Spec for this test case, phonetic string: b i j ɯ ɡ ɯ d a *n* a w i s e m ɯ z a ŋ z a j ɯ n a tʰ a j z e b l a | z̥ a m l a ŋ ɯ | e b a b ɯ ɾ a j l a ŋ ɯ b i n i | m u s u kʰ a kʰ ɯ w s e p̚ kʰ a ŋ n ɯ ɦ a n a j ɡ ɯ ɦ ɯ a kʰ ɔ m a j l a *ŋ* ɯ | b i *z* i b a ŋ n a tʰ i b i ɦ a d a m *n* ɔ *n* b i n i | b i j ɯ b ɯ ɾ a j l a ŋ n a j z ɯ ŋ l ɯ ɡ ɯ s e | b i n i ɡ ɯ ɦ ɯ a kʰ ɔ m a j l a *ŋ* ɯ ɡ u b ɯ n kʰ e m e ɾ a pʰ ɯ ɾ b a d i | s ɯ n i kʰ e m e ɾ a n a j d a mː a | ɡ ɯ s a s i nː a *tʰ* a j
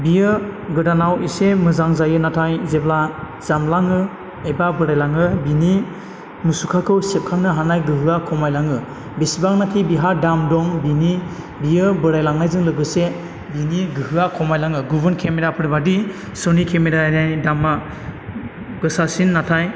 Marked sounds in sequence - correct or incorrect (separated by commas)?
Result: correct, correct, incorrect, incorrect, incorrect, correct, correct